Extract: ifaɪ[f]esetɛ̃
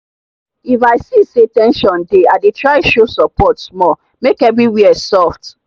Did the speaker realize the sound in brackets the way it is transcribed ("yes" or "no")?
no